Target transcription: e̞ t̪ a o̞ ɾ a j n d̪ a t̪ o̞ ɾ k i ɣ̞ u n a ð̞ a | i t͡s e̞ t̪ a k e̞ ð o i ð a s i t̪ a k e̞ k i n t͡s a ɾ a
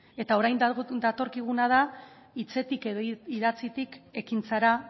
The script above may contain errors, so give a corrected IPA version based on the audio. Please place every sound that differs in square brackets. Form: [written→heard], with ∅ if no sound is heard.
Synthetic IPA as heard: e̞ t̪ a o̞ ɾ a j n d̪ a t̪ o̞ ɾ k i ɣ̞ u n a ð̞ a | i t͡s e̞ t̪ [a→i] k e̞ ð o i ð a [s→t͡s] i t̪ [a→i] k e̞ k i n t͡s a ɾ a